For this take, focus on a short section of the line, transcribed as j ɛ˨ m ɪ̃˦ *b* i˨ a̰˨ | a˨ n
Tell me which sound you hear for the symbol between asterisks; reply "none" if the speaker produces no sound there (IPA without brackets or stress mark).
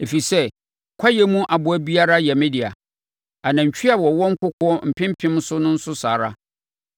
d